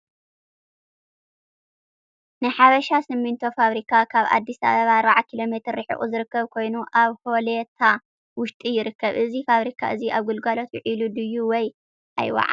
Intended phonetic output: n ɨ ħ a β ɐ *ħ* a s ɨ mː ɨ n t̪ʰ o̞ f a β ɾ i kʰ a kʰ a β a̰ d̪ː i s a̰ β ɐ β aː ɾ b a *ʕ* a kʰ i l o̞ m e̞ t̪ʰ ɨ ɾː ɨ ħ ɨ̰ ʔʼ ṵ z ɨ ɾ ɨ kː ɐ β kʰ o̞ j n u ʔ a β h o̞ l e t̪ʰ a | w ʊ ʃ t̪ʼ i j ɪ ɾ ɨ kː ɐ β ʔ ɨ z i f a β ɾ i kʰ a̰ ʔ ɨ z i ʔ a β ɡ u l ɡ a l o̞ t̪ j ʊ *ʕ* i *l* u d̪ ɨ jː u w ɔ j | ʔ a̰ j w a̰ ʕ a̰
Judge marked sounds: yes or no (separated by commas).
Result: no, yes, yes, yes